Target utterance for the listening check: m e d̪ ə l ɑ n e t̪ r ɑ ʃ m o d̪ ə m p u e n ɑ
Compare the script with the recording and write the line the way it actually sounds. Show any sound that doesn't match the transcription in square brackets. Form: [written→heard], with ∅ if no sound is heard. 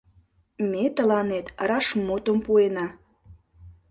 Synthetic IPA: m e [d̪→t̪] ə l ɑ n e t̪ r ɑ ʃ m o [d̪→t̪] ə m p u e n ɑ